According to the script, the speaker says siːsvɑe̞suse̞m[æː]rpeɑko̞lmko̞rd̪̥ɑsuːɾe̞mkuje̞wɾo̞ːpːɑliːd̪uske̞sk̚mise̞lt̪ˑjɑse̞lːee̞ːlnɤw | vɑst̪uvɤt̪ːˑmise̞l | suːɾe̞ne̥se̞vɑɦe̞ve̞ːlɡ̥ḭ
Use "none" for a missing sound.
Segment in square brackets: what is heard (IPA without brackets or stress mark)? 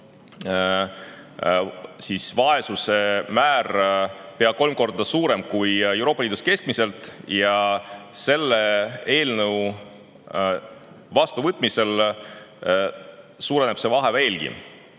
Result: æː